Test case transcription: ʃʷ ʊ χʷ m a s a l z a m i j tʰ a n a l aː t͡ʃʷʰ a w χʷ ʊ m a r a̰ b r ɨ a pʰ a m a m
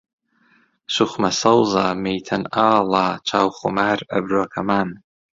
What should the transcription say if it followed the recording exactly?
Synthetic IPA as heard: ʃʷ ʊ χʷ m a s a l z a m e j tʰ a n a l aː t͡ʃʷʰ a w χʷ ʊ m a r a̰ b r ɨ a kʰ a m a n